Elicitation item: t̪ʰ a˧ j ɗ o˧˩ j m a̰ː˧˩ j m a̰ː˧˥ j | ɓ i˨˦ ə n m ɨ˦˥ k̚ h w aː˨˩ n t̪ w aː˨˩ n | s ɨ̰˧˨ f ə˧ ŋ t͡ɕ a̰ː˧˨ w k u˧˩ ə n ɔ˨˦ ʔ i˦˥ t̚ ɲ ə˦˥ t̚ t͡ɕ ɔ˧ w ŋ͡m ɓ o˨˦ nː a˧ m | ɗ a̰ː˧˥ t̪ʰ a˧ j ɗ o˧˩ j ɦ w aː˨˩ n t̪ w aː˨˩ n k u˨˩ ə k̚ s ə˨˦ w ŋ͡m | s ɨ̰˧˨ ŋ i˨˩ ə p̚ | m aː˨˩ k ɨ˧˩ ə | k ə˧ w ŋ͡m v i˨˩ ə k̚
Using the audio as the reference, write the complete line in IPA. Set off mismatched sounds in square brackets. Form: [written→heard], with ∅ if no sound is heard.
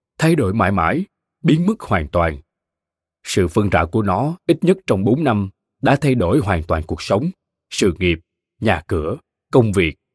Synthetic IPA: t̪ʰ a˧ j ɗ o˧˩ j m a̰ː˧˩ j m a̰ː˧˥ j | ɓ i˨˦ ə n m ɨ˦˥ k̚ h w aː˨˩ n t̪ w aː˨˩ n | s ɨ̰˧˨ f ə˧ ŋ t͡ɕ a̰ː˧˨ w k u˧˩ ə n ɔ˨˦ ʔ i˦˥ t̚ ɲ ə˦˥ t̚ t͡ɕ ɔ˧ w ŋ͡m ɓ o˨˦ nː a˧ m | ɗ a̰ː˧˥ t̪ʰ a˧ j ɗ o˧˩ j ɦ w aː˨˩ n t̪ w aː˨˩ n k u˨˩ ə k̚ s ə˨˦ w ŋ͡m | s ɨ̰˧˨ ŋ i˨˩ ə p̚ | [m→ɲ] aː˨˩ k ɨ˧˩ ə | k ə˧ w ŋ͡m v i˨˩ ə k̚